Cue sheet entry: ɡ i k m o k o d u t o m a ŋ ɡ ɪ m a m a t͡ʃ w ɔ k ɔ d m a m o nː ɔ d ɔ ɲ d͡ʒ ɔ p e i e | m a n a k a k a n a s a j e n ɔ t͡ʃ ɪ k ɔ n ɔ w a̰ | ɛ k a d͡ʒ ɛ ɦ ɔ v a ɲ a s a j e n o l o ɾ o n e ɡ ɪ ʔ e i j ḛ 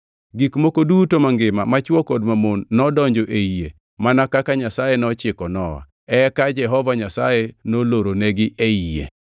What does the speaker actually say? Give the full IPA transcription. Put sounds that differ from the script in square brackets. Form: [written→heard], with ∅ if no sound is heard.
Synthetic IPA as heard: ɡ i k m o k o d u t o m a ŋ ɡ ɪ m a m a t͡ʃ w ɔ k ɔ d m a m o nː ɔ d ɔ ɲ d͡ʒ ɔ [p→ʔ] e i e | m a n a k a k a [n→ɲ] a s a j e n ɔ t͡ʃ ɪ k ɔ n ɔ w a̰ | ɛ k a d͡ʒ ɛ ɦ ɔ v a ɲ a s a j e n o l o ɾ o n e ɡ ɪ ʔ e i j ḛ